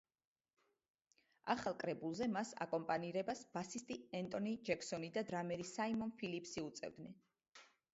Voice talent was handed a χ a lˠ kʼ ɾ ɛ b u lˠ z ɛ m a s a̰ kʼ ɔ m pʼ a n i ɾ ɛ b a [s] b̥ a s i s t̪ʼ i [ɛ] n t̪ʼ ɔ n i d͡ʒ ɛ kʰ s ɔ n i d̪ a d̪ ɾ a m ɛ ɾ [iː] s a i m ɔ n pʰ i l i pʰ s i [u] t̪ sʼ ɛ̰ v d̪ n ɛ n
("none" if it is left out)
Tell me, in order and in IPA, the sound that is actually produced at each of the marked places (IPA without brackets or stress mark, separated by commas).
s, ɛ, i, u